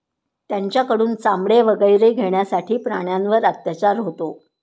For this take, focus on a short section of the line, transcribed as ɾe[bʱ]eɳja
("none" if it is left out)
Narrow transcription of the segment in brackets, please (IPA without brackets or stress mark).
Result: ɡʱ